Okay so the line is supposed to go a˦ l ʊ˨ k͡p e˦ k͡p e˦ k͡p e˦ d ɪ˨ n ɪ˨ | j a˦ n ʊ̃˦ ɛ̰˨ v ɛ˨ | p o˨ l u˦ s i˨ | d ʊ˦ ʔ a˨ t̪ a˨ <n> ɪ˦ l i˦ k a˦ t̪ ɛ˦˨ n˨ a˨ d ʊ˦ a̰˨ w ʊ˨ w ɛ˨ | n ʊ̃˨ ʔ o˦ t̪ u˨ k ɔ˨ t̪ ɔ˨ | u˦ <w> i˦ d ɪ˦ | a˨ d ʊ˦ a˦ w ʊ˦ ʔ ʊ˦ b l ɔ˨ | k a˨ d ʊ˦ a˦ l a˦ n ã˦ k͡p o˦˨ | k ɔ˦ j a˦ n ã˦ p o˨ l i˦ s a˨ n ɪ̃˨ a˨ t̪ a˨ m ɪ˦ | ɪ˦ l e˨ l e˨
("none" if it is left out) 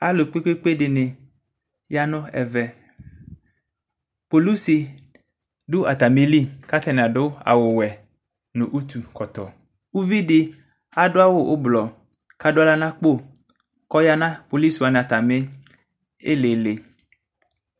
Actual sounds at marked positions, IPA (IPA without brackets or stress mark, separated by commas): m, v